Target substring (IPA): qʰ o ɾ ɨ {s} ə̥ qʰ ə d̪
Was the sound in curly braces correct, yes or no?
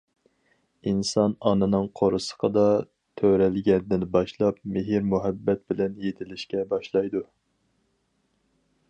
yes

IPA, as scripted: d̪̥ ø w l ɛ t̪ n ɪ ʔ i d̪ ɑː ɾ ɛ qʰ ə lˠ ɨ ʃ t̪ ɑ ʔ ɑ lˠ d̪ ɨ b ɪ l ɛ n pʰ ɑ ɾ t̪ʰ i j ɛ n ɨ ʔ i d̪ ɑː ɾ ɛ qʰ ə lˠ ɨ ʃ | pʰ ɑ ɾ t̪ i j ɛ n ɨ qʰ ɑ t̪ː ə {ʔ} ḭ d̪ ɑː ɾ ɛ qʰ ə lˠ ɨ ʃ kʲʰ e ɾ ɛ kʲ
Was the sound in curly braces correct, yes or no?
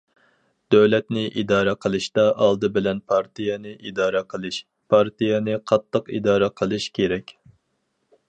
no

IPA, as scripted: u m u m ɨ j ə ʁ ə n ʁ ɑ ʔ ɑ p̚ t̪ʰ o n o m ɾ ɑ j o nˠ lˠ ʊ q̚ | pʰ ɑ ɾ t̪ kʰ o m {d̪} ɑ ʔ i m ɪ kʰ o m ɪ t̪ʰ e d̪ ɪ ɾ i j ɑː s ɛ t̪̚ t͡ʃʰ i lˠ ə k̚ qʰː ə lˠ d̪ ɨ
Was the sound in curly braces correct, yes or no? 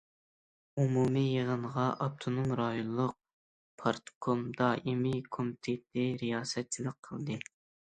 yes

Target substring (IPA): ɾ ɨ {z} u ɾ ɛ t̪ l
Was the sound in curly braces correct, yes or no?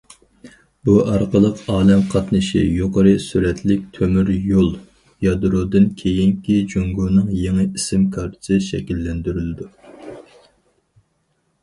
no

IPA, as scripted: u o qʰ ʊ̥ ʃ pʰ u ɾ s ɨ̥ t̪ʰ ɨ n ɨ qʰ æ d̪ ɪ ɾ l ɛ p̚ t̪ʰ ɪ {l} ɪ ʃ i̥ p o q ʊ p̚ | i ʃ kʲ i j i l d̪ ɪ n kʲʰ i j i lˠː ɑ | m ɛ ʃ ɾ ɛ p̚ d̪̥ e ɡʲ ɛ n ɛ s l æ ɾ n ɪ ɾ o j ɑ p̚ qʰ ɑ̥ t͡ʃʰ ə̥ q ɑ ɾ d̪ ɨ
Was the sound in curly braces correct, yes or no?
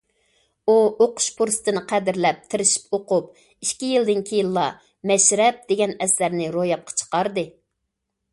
no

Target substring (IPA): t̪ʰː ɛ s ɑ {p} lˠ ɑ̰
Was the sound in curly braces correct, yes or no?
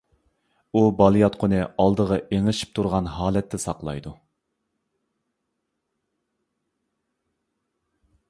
no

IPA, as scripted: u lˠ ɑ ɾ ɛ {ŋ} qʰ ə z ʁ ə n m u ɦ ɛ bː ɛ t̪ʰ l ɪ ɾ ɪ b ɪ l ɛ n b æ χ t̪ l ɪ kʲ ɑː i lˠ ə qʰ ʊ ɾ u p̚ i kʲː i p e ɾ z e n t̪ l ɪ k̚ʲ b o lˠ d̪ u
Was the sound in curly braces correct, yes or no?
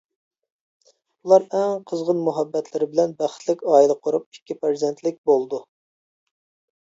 yes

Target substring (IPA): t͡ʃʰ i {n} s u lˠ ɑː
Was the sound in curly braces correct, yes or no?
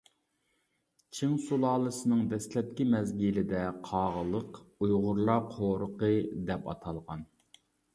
no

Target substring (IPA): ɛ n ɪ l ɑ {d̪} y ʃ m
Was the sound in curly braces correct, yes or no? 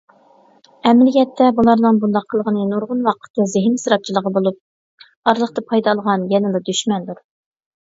yes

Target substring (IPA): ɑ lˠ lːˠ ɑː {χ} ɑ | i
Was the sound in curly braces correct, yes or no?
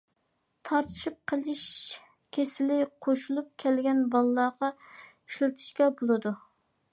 no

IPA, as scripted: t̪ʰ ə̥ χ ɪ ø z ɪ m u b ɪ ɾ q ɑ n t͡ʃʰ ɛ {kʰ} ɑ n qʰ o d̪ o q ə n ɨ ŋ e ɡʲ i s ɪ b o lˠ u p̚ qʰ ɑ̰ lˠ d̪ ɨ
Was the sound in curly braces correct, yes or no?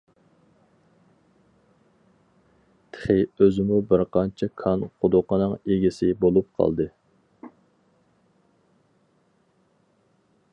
yes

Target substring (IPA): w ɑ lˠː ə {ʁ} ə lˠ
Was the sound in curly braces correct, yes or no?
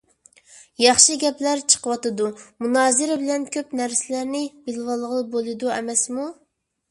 yes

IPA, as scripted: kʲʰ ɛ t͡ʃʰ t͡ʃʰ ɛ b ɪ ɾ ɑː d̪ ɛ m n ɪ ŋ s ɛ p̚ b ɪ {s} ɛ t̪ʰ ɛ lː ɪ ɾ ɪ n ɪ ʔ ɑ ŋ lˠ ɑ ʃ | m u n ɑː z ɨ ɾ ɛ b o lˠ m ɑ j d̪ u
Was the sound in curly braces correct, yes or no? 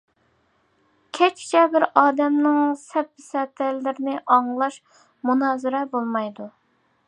yes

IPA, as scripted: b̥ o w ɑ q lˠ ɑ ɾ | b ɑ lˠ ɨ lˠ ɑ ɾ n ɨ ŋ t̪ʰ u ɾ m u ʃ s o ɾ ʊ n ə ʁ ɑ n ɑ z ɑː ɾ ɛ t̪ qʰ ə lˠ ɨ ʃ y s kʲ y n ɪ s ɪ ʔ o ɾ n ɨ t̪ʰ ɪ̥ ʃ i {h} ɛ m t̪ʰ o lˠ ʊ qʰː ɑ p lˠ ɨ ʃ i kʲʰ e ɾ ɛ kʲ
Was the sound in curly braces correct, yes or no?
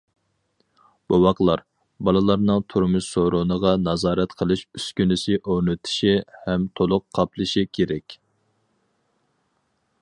yes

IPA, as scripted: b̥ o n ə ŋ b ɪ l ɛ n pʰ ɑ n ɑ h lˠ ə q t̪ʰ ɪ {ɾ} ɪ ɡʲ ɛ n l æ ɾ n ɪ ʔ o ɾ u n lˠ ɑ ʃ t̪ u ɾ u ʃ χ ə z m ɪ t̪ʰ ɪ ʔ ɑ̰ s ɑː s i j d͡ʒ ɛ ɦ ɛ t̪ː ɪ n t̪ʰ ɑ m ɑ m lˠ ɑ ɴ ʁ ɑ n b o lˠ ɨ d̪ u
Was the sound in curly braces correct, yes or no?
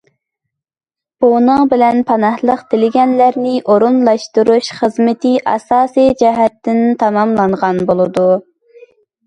no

